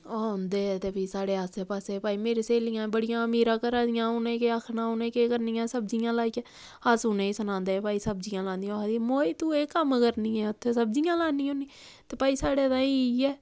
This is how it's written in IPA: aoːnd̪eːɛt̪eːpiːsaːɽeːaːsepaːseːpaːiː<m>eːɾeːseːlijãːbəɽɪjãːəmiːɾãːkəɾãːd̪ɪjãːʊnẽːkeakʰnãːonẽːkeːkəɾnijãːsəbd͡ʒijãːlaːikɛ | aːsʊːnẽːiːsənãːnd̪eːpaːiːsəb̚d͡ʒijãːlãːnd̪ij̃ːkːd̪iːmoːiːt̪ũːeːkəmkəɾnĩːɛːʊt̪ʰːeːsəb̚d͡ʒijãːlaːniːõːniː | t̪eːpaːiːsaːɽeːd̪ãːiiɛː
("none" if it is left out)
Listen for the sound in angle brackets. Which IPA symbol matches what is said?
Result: m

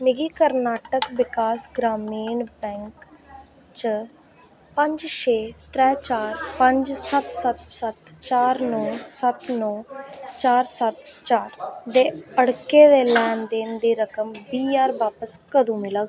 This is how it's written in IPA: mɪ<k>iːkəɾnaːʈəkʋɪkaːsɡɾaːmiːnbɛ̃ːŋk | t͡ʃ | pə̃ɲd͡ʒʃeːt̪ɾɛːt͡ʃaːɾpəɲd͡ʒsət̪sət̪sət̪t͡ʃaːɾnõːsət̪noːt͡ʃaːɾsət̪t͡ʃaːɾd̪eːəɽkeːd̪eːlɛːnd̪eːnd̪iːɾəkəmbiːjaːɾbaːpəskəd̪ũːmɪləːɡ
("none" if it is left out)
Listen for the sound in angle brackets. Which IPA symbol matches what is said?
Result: ɡ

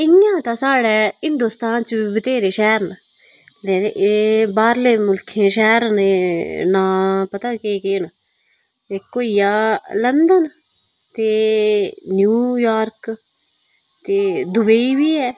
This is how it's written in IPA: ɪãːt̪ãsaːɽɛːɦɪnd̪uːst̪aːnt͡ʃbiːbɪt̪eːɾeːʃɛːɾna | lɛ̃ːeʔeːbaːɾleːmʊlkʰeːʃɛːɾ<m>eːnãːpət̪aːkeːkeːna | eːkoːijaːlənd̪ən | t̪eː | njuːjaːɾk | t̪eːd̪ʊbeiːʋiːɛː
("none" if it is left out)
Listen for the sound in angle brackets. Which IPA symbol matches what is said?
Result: n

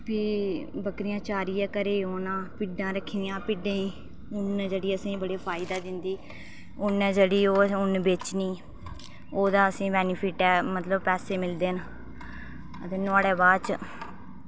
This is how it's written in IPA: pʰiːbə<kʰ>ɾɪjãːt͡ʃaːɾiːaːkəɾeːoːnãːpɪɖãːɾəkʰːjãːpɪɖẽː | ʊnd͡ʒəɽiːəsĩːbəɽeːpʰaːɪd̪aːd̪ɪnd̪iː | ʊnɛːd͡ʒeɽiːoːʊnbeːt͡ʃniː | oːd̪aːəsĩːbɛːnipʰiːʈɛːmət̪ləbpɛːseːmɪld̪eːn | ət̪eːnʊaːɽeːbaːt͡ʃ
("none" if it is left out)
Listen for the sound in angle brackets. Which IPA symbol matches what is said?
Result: k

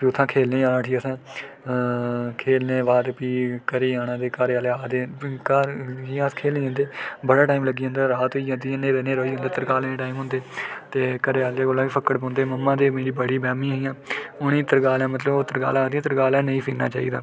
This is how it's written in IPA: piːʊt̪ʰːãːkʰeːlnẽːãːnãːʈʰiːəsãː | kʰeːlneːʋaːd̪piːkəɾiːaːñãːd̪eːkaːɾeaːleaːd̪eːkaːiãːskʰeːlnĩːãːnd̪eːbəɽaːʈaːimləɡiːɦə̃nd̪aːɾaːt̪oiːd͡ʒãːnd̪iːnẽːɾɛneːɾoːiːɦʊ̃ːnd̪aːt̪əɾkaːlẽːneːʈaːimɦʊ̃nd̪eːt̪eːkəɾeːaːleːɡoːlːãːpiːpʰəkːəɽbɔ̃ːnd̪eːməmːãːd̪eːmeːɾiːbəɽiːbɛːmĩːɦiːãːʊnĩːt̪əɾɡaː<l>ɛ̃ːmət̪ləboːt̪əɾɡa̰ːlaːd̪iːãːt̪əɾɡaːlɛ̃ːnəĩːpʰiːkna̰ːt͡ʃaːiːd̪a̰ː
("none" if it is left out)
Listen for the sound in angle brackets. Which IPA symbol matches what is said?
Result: l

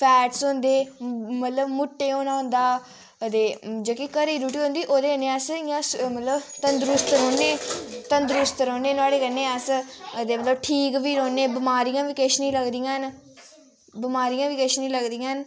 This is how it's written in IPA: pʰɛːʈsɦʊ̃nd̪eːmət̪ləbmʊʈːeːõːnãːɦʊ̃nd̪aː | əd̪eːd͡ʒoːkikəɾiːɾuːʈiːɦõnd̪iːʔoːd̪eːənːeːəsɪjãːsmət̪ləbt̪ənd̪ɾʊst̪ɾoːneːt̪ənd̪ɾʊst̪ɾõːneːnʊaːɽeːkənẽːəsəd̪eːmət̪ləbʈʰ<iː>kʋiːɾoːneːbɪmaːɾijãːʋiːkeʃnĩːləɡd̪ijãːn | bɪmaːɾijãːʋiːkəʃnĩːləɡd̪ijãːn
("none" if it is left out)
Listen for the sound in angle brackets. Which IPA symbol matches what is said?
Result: iː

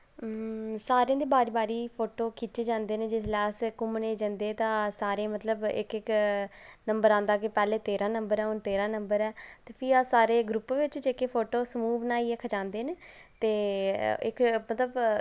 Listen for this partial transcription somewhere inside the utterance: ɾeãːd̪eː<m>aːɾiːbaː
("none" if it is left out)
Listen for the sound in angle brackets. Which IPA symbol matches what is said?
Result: b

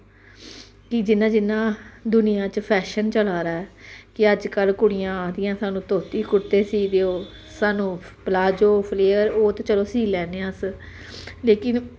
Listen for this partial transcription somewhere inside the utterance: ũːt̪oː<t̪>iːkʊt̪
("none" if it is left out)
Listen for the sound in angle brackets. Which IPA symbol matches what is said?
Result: t̪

